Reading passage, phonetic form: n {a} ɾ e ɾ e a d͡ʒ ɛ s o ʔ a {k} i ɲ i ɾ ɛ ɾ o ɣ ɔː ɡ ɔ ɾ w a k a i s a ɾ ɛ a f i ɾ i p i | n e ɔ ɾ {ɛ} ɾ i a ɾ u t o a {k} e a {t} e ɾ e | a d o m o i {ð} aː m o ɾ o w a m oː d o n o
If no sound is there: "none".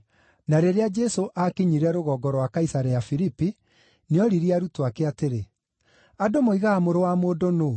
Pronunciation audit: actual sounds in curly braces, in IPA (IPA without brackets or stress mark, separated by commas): a, k, i, k, t, ɣ